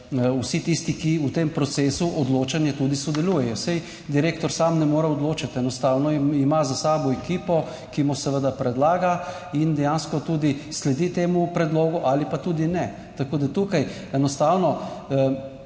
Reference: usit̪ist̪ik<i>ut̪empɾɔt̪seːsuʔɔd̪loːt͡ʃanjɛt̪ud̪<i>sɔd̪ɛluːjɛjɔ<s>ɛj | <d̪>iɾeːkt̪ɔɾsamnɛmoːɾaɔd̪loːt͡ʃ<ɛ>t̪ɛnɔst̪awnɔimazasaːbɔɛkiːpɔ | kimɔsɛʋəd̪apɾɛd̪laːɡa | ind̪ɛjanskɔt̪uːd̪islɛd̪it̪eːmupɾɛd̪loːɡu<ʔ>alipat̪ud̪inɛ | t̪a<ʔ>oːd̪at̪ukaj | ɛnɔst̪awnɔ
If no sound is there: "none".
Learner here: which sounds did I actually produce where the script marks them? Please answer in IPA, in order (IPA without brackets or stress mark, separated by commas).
i, i, s, d̪, a, ʔ, k